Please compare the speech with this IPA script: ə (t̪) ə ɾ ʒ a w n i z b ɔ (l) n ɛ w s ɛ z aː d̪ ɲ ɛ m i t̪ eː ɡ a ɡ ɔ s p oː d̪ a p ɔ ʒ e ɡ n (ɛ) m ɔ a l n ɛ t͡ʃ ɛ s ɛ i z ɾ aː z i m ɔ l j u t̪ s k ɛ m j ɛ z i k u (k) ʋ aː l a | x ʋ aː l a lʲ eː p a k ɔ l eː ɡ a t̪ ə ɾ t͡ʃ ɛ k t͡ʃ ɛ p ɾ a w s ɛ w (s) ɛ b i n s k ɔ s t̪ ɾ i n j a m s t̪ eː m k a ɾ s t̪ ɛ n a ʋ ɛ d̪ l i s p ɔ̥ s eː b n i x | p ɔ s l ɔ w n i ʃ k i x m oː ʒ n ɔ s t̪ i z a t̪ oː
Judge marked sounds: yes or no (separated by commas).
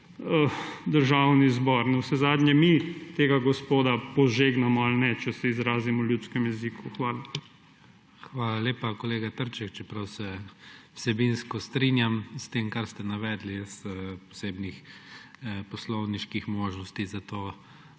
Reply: no, no, no, no, yes